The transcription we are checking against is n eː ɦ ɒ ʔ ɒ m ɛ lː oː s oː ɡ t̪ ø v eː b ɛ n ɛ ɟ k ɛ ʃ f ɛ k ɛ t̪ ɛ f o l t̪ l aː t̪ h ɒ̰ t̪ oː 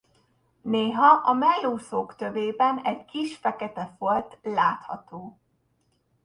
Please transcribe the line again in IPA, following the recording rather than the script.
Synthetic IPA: n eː ɦ ɒ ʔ ɒ m ɛ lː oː s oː k t̪ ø v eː b ɛ n ɛ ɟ k i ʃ f ɛ k ɛ t̪ ɛ f o l t̪ l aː t̪ h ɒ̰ t̪ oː